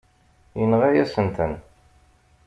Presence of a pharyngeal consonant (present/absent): absent